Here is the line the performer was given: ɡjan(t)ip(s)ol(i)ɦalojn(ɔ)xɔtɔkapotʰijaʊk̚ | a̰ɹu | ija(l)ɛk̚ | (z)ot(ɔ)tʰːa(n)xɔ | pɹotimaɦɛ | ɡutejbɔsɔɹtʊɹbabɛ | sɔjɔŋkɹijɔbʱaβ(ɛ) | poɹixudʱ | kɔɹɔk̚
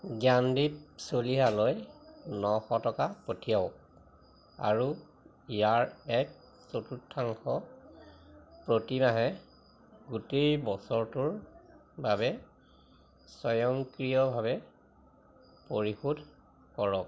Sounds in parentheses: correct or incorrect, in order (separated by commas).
incorrect, correct, correct, correct, incorrect, incorrect, incorrect, incorrect, correct